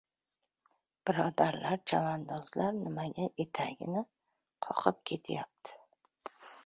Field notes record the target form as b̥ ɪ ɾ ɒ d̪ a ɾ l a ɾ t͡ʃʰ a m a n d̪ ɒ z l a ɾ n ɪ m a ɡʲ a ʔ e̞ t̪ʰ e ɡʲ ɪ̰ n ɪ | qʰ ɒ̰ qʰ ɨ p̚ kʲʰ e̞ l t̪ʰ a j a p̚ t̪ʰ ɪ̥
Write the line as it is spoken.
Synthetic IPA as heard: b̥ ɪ ɾ ɒ d̪ a ɾ l a ɾ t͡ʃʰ a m a n d̪ ɒ z l a ɾ n ɪ m a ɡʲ a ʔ e̞ t̪ʰ a ɡʲ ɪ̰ n ɪ | qʰ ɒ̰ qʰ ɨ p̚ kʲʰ e̞ t̪ʰ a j a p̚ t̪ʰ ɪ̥